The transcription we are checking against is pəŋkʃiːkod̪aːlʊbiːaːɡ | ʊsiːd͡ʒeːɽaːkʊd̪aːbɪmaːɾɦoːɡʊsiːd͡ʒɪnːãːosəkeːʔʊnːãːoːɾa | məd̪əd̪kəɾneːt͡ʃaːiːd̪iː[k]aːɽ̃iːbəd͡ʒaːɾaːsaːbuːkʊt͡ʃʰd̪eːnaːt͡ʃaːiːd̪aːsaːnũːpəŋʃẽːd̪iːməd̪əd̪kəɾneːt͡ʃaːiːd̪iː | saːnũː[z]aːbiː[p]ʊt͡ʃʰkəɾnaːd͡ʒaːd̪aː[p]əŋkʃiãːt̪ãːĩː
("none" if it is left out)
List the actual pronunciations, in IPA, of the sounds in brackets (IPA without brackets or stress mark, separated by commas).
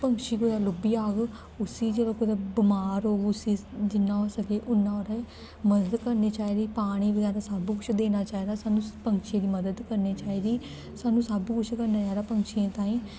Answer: p, s, k, p